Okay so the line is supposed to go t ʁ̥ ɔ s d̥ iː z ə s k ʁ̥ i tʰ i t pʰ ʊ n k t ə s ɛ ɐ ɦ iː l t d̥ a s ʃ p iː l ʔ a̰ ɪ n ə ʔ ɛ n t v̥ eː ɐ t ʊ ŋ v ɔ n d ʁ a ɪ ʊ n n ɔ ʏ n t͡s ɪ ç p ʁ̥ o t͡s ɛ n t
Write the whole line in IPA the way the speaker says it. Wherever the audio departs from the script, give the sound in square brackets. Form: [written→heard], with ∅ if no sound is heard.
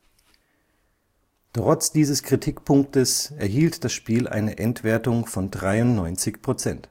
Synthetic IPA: t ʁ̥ ɔ [s→t͡s] d̥ iː z ə s k ʁ̥ i tʰ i [t→k] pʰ ʊ [n→ŋ] k t ə s ɛ ɐ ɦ iː l t d̥ a s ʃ p iː l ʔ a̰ ɪ n ə ʔ ɛ n t v̥ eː ɐ t ʊ ŋ [v→f] ɔ n d ʁ a ɪ ʊ n n ɔ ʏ n t͡s ɪ ç p ʁ̥ o t͡s ɛ n t